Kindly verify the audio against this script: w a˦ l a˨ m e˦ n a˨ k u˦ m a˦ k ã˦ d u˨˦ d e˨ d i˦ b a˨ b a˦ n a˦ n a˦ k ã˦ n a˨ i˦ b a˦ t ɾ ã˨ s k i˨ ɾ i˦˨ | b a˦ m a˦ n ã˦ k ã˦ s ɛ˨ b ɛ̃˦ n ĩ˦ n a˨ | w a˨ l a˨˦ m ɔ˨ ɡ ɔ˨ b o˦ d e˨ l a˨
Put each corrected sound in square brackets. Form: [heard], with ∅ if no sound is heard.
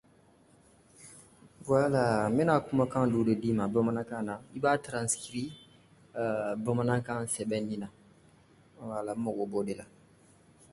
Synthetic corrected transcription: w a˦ l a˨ m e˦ n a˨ k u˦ m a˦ k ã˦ d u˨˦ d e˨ d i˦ [m] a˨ b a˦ [m] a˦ n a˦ k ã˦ n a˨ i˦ b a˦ t ɾ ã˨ s k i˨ ɾ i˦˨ | b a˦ m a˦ n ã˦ k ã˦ s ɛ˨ b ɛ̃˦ n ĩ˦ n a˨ | w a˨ l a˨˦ m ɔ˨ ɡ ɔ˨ b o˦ d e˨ l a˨